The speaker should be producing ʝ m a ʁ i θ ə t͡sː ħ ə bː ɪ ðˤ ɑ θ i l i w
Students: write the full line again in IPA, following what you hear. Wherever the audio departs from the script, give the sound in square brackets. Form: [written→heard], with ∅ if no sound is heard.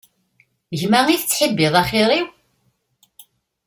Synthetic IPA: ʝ m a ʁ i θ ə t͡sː ħ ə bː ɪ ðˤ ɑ [θ→χ] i [l→ɾ] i w